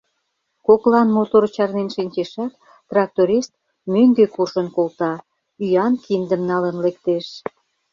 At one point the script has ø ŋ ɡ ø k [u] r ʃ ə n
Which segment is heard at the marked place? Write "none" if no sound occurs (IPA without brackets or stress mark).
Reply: u